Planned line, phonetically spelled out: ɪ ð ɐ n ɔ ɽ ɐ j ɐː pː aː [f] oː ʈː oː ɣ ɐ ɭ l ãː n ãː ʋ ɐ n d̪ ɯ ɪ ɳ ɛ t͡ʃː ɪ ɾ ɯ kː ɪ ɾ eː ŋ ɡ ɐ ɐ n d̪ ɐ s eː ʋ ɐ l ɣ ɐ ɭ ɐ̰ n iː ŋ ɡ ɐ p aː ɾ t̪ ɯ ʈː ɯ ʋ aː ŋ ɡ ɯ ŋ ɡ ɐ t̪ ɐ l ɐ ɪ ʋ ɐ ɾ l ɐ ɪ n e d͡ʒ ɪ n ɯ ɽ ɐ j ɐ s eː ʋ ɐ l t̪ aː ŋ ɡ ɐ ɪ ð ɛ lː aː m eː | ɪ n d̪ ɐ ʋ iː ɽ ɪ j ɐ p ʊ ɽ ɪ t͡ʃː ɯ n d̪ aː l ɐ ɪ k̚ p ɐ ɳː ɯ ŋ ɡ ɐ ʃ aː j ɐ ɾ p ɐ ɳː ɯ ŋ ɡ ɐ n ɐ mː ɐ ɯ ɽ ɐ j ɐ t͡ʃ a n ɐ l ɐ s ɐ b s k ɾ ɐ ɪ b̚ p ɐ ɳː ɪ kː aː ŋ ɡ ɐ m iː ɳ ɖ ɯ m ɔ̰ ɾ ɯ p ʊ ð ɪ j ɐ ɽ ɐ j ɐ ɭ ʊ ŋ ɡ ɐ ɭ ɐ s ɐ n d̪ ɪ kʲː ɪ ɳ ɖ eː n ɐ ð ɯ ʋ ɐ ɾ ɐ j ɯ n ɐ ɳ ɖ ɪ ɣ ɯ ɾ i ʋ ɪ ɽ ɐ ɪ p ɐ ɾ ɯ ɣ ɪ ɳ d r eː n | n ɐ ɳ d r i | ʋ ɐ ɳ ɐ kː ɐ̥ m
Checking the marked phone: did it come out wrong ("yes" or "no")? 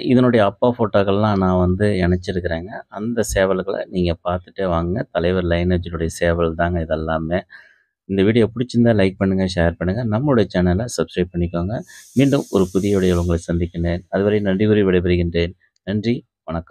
no